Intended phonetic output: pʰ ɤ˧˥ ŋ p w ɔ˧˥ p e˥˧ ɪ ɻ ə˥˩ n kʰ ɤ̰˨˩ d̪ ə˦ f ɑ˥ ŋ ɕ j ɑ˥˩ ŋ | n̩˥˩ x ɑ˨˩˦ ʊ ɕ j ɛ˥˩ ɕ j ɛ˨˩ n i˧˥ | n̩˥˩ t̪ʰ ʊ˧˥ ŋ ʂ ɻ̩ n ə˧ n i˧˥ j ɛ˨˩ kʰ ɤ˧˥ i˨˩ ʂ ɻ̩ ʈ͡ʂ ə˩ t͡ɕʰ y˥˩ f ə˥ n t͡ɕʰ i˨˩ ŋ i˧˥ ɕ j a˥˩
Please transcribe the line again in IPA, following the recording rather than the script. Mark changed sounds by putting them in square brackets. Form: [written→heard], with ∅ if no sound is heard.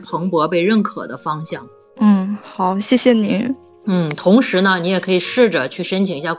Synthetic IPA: pʰ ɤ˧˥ ŋ p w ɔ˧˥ p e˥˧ ɪ ɻ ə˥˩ n kʰ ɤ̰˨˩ d̪ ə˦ f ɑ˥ ŋ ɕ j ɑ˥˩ ŋ | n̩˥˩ x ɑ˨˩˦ ʊ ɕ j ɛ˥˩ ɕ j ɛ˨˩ n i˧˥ | n̩˥˩ t̪ʰ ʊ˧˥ ŋ ʂ ɻ̩ n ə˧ n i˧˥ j ɛ˨˩ kʰ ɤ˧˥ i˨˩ ʂ ɻ̩ ʈ͡ʂ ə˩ t͡ɕʰ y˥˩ [f→ʂ] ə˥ n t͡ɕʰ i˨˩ ŋ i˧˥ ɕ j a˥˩